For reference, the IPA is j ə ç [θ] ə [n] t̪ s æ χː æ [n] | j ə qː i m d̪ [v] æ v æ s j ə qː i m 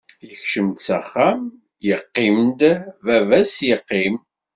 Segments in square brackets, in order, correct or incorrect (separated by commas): incorrect, incorrect, incorrect, correct